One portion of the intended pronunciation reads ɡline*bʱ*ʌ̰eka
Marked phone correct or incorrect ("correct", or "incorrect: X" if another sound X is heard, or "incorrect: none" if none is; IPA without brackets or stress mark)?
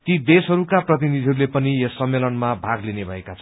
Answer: correct